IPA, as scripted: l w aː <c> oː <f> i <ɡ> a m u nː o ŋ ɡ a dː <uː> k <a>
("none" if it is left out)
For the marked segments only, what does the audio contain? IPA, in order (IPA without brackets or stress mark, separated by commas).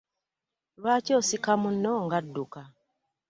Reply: c, s, k, u, a